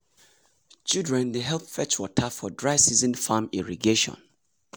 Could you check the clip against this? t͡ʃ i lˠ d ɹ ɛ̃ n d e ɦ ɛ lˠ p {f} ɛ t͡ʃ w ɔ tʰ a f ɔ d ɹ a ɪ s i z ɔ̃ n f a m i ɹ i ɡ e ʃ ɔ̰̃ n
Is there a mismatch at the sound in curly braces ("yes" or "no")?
no